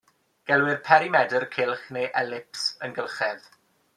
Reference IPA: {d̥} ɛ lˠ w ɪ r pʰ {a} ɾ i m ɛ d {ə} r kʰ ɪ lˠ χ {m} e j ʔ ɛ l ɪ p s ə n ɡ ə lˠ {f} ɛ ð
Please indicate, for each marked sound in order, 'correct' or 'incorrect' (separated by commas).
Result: incorrect, incorrect, correct, incorrect, incorrect